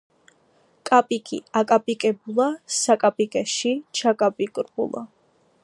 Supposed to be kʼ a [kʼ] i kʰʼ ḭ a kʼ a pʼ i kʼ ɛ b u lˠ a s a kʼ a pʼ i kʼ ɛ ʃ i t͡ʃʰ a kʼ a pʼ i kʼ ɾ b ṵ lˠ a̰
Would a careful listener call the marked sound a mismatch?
yes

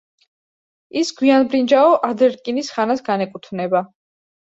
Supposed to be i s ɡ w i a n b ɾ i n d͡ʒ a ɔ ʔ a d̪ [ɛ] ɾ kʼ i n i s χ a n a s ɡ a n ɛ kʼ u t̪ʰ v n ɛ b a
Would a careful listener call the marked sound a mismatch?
no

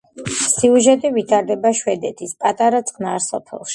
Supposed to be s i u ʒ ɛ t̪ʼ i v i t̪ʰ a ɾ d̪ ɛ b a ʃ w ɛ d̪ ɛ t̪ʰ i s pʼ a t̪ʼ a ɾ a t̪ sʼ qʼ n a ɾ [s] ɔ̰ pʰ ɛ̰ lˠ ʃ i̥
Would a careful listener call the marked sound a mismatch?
no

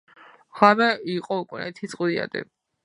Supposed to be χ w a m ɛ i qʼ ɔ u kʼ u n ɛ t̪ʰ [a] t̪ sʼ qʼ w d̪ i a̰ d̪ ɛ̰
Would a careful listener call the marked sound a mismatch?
yes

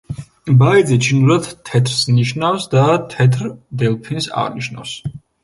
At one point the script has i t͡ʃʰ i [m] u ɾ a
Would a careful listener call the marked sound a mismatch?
yes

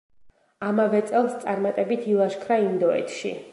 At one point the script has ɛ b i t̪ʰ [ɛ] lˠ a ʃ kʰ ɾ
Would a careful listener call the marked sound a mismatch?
yes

